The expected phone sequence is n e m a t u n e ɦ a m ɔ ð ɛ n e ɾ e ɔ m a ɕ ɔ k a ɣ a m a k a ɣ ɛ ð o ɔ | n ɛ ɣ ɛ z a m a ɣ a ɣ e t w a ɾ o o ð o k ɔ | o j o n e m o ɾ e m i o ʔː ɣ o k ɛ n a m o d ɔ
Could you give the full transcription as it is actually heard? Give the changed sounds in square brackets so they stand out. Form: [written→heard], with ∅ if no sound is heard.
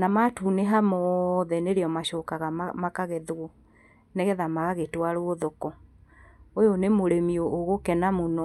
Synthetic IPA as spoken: n [e→a] m a t u n e ɦ a m ɔ ð ɛ n e ɾ e ɔ m a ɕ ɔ k a ɣ a m a k a ɣ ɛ ð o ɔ | n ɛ ɣ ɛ [z→ð] a m a ɣ a ɣ e t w a ɾ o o ð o k ɔ | o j o n e m o ɾ e m i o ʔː ɣ o k ɛ n a m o [d→n] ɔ

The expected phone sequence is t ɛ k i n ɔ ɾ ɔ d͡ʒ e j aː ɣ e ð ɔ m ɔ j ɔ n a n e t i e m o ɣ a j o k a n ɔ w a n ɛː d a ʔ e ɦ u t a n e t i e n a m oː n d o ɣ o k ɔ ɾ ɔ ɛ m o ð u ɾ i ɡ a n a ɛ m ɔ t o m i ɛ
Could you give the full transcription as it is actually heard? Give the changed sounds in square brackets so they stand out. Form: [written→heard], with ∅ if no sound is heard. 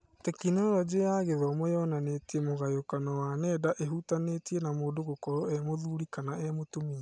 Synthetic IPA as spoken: t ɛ k i n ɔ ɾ ɔ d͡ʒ e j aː ɣ e ð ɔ m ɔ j ɔ n a n e t i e m o ɣ a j o k a n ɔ w a n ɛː d a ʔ e ɦ u t a n e t i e n a m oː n d o ɣ o k ɔ ɾ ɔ ɛ m o ð u ɾ i [ɡ→k] a n a ɛ m [ɔ→o] t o m i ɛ

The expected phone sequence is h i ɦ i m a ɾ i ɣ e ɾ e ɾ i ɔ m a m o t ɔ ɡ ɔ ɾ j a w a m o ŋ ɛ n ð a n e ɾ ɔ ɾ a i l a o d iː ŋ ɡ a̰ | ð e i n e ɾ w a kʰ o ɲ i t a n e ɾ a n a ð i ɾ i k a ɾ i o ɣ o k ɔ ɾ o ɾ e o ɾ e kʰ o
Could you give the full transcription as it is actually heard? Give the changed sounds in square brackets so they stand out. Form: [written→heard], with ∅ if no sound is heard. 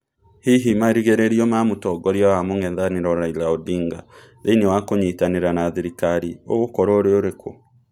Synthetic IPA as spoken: h i ɦ i m a ɾ i ɣ e ɾ e ɾ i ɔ m a m o t ɔ ɡ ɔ ɾ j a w a m o ŋ ɛ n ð a n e ɾ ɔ ɾ a i l a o d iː ŋ ɡ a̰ | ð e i n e [ɾ→∅] w a [kʰ→k] o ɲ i t a n e ɾ a n a ð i ɾ i k a ɾ i o ɣ o k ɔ ɾ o ɾ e o ɾ e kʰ o

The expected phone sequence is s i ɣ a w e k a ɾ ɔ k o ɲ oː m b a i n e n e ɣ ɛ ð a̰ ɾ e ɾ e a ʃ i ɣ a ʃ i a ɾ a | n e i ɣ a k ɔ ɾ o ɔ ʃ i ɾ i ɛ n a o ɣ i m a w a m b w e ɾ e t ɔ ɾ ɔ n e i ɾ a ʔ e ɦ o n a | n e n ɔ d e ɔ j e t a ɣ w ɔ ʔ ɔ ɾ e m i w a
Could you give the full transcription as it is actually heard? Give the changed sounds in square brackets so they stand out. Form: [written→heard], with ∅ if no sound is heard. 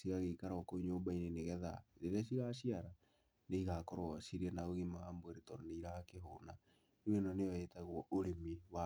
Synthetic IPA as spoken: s i ɣ a [w→ɣ] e k a ɾ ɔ k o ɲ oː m b a i n e n e ɣ ɛ ð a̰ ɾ e ɾ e a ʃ i ɣ a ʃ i a ɾ a | n e i ɣ a k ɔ ɾ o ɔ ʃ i ɾ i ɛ n a o ɣ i m a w a m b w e ɾ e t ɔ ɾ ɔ n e i ɾ a [ʔ→k] e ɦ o n a | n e n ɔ [d→n] e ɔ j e t a ɣ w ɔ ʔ [ɔ→o] ɾ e m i w a

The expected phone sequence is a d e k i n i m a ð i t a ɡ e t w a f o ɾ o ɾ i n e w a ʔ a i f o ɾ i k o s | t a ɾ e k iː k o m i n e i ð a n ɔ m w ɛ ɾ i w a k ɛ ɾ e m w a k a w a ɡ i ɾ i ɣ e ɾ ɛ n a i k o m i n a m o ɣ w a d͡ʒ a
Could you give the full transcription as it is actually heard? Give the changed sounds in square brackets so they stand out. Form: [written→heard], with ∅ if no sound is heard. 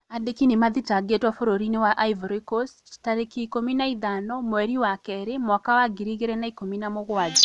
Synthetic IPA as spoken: a d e k i n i m a ð i t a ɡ e t w a f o ɾ o ɾ i n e w a ʔ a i [f→v] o ɾ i k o s | t a ɾ e k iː k o m i n [e→a] i ð a n ɔ m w ɛ ɾ i w a k ɛ ɾ e m w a k a w a ɡ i ɾ i ɣ e ɾ ɛ n a i k o m i n a m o ɣ w a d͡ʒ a

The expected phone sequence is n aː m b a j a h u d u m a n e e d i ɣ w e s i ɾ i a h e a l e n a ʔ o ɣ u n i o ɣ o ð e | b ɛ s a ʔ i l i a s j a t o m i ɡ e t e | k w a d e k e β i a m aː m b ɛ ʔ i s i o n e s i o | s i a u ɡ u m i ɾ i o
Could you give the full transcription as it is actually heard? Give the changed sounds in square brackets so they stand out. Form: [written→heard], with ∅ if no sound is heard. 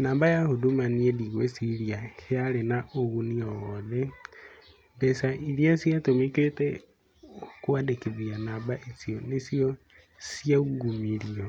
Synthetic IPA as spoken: n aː m b a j a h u d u m a n [e→i] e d i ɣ w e s i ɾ i a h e a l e n a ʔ o ɣ u n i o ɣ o ð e | b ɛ s a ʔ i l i a s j a t o m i [ɡ→k] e t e | k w a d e k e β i a [m→n] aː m b [ɛ→a] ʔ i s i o n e s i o | s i a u ɡ u m i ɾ i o

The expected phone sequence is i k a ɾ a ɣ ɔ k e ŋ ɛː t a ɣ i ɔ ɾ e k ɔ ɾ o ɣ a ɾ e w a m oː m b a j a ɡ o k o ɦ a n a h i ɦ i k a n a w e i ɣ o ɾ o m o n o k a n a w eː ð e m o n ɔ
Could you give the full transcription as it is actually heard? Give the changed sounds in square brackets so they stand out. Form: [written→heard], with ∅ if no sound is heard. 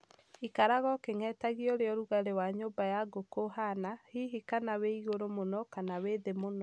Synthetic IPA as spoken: i k a ɾ a ɣ ɔ k e ŋ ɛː t a ɣ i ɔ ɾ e [k→∅] ɔ ɾ [o→u] ɣ a ɾ e w a [m→ɲ] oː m b a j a ɡ o k o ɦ a n a h i ɦ i k a n a w e i ɣ o ɾ o m o n [o→ɔ] k a n a w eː ð e m o n ɔ

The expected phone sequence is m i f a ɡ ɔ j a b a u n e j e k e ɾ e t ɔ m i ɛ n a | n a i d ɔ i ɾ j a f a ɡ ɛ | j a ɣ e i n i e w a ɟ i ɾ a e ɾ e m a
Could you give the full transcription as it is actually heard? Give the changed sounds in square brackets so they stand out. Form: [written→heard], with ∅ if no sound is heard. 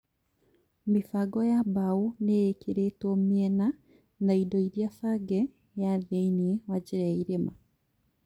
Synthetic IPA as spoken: m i f a ɡ ɔ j a b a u n e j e k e ɾ e t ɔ m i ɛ n a | n a i d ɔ i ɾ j a f a ɡ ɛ | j a [ɣ→ð] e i n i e w a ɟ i ɾ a [e→i] ɾ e m a

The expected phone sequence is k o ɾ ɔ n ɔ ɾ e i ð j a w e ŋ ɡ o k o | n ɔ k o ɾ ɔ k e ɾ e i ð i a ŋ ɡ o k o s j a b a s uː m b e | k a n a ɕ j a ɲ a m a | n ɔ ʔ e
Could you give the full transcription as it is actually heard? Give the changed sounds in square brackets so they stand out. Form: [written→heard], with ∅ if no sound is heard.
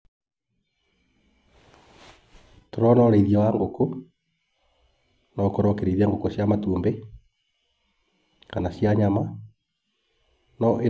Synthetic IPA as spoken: [k→t] o ɾ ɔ n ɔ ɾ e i ð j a w [e→a] ŋ ɡ o k o | n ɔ k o ɾ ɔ k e ɾ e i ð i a ŋ ɡ o k o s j a [b→m] a [s→t] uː m b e | k a n a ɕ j a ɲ a m a | n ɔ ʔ e

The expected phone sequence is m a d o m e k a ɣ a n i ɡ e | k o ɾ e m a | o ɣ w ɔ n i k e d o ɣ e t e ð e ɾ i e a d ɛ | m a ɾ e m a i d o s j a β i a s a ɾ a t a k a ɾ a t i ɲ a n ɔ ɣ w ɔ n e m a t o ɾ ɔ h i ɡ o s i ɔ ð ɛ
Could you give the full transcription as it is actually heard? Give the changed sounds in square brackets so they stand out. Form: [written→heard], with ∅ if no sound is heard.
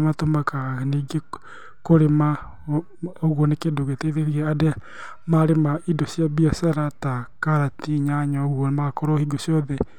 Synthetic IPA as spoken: m a [d→t] o m [e→a] k a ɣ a n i ɡ e | k o ɾ e m a | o ɣ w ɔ n [i→e] k e d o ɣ e t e ð e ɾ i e a d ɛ | m a ɾ e m a i d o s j a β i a s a ɾ a t a k a ɾ a t i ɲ a [n→ɲ] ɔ ɣ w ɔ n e m a [t→k] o ɾ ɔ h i ɡ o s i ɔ ð ɛ

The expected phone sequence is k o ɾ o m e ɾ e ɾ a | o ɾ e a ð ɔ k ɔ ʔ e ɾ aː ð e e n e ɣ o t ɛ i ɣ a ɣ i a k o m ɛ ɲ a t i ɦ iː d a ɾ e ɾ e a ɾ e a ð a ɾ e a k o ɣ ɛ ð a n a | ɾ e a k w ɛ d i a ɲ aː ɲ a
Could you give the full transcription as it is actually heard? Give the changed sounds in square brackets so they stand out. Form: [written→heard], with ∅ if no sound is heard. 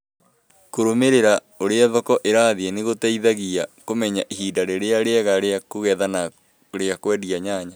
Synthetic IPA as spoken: k o ɾ o m e ɾ e ɾ a | o ɾ e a ð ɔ k ɔ ʔ e ɾ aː ð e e n e ɣ o t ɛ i [ɣ→ð] a ɣ i a k o m ɛ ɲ a [t→ʔ] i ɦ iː d a ɾ e ɾ e a ɾ e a [ð→ɣ] a ɾ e a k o ɣ ɛ ð a n a | ɾ e a k w ɛ d i a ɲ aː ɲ a

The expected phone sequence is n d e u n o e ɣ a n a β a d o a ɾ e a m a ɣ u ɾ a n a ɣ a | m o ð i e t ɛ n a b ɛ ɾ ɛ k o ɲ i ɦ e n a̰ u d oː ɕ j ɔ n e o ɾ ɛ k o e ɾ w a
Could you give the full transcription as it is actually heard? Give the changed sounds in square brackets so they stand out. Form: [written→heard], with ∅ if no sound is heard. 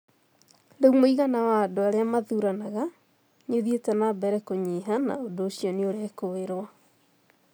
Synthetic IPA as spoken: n d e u [n→m] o [e→i] ɣ a n a [β→w] a d o a ɾ e a m a [ɣ→ð] u ɾ a n a ɣ a | [m→ɲ] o ð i e t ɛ n a b ɛ ɾ ɛ k o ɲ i ɦ [e→a] n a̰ [u→o] d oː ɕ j ɔ n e o ɾ ɛ k o e ɾ w a

